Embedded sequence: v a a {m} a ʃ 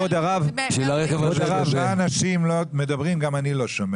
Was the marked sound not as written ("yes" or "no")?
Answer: yes